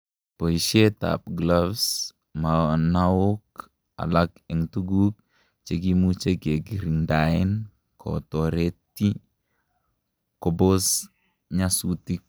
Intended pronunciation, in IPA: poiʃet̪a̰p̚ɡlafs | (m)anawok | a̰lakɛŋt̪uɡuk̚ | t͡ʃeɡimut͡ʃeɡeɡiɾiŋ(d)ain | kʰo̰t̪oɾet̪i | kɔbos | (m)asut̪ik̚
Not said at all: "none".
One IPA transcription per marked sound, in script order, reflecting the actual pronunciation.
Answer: m, d, ɲ

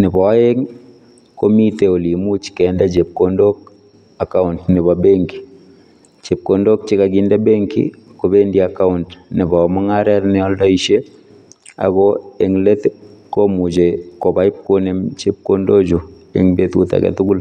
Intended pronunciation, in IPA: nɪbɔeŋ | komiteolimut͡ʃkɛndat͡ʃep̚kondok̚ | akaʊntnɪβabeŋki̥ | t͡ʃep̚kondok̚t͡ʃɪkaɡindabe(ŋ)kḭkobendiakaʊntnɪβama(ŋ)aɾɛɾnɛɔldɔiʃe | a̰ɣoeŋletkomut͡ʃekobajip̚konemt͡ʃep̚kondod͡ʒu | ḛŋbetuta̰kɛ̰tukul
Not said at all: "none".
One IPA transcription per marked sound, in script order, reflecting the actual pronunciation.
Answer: ŋ, ŋ

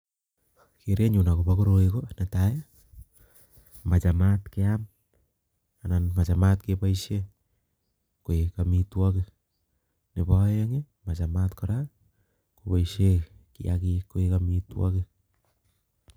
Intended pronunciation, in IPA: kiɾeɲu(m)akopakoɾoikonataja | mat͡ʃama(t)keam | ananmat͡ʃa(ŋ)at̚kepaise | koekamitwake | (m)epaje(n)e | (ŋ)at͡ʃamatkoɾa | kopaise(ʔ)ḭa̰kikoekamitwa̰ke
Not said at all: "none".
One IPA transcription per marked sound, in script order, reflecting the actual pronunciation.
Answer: n, t, m, n, ŋ, m, k

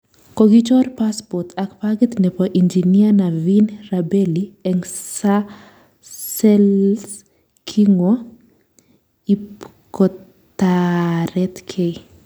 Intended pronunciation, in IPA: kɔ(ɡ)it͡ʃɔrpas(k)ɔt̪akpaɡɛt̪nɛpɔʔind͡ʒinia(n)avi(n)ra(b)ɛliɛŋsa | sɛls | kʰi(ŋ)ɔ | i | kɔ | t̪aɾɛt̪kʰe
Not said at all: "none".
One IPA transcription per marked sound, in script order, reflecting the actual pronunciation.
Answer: ɡ, p, n, n, b, ŋ

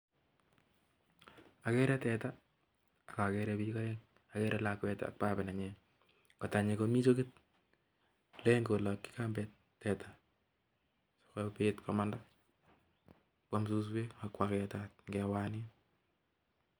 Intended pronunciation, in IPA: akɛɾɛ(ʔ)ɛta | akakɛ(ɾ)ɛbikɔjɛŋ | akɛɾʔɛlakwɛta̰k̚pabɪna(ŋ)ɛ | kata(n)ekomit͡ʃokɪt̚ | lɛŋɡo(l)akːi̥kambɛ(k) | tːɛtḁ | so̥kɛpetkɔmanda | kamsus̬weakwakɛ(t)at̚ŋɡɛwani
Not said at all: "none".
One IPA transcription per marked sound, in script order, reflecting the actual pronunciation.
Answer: t, ɾ, ɲ, ɲ, l, t, t

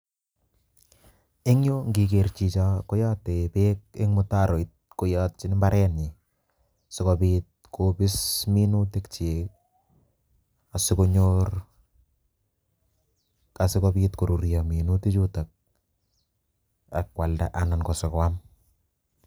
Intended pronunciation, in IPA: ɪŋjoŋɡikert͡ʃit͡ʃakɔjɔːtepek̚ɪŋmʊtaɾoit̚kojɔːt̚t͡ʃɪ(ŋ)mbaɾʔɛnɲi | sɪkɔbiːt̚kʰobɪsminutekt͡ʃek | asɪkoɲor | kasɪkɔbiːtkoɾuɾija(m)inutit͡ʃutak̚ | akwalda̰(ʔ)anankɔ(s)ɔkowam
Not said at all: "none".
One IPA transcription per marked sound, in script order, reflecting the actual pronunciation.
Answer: n, m, ʔ, s

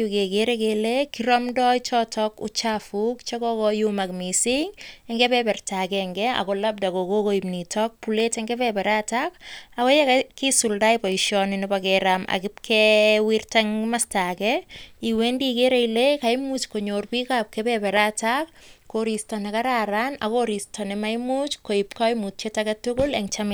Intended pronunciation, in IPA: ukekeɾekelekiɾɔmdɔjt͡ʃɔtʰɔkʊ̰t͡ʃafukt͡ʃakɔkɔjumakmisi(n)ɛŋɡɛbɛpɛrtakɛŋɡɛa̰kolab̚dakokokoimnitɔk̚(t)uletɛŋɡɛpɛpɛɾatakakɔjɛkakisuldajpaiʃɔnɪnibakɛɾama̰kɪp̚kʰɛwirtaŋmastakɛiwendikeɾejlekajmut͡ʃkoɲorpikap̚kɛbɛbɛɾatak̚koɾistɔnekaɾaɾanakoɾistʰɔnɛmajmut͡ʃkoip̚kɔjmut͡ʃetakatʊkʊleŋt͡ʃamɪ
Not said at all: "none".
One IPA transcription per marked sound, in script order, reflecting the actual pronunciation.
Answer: ŋ, p

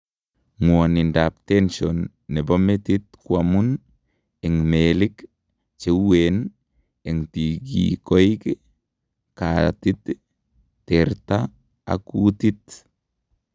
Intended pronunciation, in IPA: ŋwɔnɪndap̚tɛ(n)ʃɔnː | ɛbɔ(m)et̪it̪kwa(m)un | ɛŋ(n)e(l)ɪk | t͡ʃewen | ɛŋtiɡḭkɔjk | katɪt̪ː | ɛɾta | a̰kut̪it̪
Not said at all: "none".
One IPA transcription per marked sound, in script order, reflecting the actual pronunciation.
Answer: n, m, m, m, l

